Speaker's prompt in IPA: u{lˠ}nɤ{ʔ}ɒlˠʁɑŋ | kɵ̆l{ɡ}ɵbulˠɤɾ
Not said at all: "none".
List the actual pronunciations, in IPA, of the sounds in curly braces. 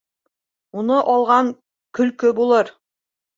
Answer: none, ʔ, k

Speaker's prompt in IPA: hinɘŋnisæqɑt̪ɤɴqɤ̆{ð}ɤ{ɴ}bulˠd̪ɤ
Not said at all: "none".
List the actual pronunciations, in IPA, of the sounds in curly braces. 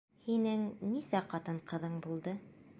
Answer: ð, ɴ

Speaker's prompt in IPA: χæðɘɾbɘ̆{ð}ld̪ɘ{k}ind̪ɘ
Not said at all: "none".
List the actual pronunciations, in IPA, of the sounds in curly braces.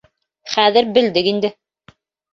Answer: none, k

